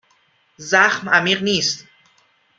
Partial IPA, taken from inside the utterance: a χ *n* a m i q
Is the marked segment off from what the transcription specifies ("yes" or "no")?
yes